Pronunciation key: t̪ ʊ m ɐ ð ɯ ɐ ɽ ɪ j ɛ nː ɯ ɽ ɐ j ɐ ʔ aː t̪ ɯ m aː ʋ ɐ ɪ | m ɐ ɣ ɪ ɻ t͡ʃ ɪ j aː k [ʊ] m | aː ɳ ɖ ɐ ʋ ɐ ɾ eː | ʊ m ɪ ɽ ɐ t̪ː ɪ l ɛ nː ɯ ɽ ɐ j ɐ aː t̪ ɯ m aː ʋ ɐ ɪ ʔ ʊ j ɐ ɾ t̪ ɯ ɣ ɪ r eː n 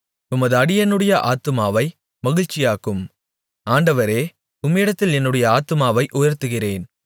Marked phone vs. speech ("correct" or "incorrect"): incorrect